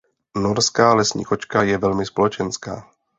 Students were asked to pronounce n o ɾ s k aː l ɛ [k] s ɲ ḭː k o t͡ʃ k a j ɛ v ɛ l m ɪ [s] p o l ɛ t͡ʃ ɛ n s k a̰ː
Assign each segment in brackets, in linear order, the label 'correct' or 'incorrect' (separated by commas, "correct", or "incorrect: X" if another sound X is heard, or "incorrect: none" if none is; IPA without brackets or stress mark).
incorrect: none, correct